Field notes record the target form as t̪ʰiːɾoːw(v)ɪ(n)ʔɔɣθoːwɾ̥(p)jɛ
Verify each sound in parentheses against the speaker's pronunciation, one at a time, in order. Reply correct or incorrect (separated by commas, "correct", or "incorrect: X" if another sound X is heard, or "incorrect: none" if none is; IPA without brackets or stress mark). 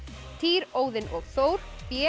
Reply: incorrect: ð, correct, correct